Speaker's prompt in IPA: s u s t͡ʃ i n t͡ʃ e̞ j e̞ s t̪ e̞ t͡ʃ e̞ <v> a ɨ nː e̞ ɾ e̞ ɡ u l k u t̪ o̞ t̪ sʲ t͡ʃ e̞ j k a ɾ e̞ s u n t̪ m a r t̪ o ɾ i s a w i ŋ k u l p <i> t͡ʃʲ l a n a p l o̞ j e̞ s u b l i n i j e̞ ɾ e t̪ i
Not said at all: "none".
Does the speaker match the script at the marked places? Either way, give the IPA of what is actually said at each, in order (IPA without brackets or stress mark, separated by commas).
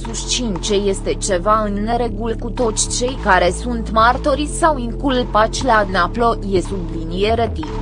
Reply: v, a